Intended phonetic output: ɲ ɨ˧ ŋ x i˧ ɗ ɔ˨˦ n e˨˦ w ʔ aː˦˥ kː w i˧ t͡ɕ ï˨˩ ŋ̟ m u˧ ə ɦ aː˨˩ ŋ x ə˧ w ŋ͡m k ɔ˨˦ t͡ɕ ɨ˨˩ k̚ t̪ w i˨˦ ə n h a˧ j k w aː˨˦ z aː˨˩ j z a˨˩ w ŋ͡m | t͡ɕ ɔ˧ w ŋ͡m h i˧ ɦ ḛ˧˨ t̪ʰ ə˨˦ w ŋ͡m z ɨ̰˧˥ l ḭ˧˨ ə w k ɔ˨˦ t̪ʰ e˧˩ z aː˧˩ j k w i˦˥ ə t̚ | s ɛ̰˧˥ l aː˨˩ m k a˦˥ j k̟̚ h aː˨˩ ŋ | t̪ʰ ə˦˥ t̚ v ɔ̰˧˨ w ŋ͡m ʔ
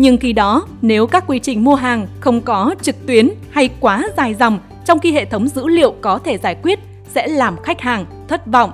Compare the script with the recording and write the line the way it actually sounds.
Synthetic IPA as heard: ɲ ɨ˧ ŋ x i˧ ɗ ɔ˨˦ n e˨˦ w k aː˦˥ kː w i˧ t͡ɕ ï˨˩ ŋ̟ m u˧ ə ɦ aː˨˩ ŋ x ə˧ w ŋ͡m k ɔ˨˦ t͡ɕ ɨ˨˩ k̚ t̪ w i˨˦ ə n h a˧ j k w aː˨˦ z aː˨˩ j z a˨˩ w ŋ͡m | t͡ɕ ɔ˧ w ŋ͡m x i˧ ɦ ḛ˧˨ t̪ʰ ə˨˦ w ŋ͡m z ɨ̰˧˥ l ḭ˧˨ ə w k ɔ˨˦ t̪ʰ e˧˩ z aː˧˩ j k w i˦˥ ə t̚ | s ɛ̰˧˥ l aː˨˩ m x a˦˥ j k̟̚ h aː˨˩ ŋ | t̪ʰ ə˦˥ t̚ v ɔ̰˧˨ w ŋ͡m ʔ